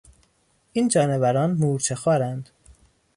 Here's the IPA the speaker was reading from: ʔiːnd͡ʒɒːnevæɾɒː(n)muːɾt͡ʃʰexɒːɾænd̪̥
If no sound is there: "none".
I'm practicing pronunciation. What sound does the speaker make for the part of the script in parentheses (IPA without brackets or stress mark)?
n